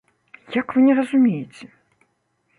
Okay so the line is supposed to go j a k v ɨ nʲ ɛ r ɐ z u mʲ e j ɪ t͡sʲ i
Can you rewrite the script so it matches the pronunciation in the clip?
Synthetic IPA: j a k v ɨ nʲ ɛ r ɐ z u mʲ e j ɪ t͡sʲ ɛ